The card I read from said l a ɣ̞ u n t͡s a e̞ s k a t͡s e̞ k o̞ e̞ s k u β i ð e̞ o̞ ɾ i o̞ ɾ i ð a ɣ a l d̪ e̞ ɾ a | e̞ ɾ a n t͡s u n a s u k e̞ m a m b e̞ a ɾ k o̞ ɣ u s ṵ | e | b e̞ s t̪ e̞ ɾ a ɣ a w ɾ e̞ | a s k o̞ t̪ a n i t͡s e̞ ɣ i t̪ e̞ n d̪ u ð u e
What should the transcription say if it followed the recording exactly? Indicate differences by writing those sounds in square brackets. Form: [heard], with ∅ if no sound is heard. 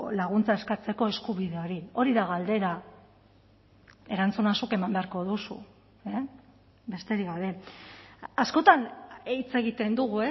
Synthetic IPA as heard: l a ɣ̞ u n t͡s a e̞ s k a t͡s e̞ k o̞ e̞ s k u β i ð e̞ o̞ ɾ i o̞ ɾ i ð a ɣ a l d̪ e̞ ɾ a | e̞ ɾ a n t͡s u n a s u k e̞ m a m b e̞ a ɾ k o̞ [ð] u s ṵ | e | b e̞ s t̪ e̞ ɾ [i] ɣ a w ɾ e̞ | a s k o̞ t̪ a n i t͡s e̞ ɣ i t̪ e̞ n d̪ u [ɣ] u e